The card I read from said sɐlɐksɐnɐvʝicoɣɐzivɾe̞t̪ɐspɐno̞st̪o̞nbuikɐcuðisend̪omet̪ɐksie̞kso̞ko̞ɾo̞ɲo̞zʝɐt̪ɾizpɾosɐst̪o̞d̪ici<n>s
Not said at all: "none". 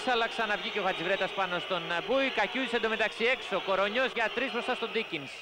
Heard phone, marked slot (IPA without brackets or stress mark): n